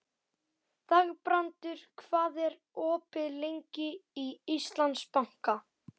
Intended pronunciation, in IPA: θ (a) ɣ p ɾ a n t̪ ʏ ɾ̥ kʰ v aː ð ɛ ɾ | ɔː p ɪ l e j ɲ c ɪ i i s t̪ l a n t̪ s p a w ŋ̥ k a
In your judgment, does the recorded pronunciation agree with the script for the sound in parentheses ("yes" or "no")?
yes